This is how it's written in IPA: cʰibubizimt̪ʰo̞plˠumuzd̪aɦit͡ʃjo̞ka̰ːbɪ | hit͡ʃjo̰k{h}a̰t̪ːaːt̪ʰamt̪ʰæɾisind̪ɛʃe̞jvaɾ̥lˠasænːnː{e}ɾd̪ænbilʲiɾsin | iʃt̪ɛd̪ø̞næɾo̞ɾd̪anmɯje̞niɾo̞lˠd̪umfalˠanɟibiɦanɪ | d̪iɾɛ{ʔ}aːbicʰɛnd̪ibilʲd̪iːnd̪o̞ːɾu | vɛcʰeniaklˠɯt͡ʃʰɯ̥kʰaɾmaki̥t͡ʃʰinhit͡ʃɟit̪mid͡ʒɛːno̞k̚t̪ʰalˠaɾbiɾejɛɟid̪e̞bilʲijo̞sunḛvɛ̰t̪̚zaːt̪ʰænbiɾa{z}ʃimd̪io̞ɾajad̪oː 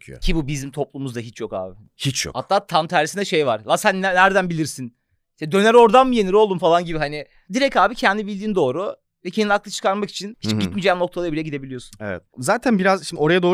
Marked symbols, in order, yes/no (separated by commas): yes, no, no, yes